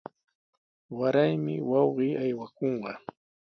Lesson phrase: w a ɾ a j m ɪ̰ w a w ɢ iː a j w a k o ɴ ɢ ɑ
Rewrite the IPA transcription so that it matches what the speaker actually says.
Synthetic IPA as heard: w a ɾ a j m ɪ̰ w ɑ w ɢ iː a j w a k o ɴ ɢ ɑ